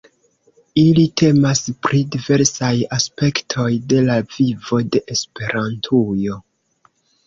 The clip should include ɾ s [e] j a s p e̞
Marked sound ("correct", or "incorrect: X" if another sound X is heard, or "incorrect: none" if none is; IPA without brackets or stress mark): incorrect: a